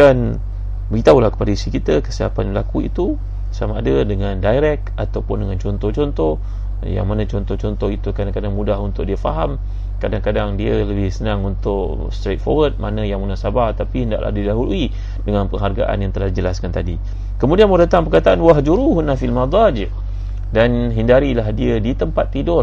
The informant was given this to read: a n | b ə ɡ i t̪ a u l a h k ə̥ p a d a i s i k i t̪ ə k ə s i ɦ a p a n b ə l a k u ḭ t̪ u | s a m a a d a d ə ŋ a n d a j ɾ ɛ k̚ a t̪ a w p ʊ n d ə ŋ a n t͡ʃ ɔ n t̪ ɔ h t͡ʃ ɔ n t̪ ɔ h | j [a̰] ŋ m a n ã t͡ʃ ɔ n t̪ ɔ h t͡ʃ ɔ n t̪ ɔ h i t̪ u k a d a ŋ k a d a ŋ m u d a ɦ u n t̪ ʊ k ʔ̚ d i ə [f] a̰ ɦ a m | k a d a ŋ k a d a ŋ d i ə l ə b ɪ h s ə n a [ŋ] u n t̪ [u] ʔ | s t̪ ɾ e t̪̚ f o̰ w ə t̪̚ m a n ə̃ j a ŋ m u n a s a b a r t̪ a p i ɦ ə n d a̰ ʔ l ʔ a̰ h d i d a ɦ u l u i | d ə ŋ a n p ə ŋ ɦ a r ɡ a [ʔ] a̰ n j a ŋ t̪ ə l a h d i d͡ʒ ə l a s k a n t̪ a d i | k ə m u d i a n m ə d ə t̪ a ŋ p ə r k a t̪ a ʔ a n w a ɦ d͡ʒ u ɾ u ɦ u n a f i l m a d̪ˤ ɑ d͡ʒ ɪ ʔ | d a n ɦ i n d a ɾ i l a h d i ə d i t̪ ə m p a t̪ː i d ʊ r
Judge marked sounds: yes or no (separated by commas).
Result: yes, yes, yes, no, yes